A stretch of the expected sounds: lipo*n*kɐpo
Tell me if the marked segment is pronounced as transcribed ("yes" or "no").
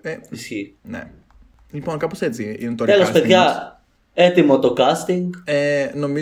yes